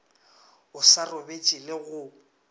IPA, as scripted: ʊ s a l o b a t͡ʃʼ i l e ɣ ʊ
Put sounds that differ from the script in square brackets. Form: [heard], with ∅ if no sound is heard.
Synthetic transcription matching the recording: ʊ s a [r] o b [e] t͡ʃʼ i l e ɣ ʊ